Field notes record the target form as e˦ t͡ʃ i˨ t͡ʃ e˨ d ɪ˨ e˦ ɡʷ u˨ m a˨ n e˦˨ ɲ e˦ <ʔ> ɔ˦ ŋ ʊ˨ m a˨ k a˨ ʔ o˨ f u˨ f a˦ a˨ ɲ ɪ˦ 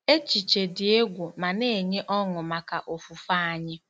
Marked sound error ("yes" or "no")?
no